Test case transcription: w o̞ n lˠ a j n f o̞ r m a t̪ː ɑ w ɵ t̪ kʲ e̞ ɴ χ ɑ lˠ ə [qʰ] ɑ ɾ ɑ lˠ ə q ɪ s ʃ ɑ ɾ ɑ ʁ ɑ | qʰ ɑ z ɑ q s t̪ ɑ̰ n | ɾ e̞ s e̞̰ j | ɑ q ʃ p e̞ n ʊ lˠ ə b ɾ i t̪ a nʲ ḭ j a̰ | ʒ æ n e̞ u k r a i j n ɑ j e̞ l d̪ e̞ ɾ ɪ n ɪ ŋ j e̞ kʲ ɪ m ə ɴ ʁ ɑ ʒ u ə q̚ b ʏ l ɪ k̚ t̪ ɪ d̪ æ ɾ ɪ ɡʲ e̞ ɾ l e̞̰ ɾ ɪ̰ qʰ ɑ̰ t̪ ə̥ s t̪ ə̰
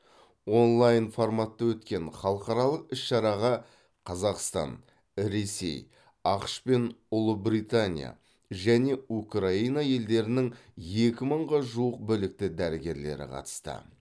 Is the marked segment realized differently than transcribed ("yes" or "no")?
yes